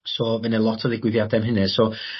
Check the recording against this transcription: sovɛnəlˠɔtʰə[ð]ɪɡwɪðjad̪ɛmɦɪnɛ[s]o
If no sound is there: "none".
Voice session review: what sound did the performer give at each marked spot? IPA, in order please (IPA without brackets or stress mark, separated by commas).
ð, s